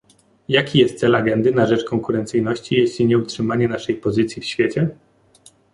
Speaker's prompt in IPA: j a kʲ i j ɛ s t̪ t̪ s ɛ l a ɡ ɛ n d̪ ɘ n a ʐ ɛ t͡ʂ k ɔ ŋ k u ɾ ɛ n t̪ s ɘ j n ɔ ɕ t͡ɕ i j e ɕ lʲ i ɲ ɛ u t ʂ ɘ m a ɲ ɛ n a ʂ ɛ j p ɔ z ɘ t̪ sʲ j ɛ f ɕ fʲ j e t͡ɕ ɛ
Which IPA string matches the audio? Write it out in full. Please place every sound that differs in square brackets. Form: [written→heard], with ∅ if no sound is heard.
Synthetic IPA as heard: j a kʲ i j ɛ s t̪ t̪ s ɛ l a ɡ ɛ n d̪ ɘ n a ʐ ɛ t͡ʂ k ɔ ŋ k u ɾ ɛ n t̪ s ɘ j n ɔ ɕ t͡ɕ i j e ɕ lʲ i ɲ ɛ u t ʂ ɘ m a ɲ ɛ n a ʂ ɛ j p ɔ z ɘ t̪ sʲ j [ɛ→i] f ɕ fʲ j e t͡ɕ ɛ